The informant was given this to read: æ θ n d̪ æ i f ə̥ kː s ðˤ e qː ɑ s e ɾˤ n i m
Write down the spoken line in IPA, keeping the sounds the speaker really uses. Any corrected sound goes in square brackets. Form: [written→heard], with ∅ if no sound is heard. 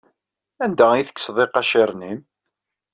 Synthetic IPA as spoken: æ [θ→∅] n d̪ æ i [f→θ] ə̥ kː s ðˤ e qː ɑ [s→ʃ] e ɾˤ n i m

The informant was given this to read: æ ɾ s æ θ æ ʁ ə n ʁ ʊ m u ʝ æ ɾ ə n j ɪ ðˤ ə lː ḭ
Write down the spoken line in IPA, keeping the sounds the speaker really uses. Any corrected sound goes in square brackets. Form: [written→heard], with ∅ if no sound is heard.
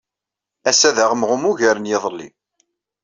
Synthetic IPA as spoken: æ [ɾ→∅] s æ [θ→ð] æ ʁ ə [n→m] ʁ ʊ m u ʝ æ ɾ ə n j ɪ ðˤ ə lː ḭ

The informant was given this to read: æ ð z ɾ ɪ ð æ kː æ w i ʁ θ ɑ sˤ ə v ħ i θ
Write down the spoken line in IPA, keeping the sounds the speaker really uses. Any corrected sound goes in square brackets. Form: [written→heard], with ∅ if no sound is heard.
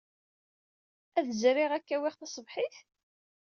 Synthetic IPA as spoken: æ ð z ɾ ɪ [ð→ʁ] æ kː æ w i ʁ θ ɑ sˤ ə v ħ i θ

